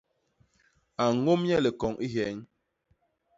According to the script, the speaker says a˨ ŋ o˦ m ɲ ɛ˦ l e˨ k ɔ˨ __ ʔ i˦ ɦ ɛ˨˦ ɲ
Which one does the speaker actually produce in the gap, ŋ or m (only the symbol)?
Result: ŋ